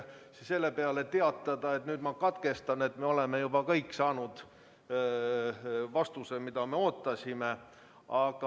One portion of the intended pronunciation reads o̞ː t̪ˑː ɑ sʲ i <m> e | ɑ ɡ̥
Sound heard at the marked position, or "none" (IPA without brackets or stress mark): m